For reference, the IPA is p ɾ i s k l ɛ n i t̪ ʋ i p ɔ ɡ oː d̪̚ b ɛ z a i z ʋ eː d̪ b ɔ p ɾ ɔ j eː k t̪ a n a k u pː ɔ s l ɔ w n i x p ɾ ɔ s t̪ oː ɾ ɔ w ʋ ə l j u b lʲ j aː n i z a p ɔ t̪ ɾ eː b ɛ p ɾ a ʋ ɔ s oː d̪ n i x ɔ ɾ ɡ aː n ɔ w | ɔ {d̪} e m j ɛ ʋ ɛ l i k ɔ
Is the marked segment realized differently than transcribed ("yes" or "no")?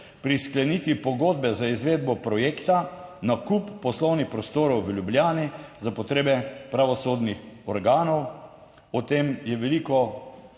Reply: yes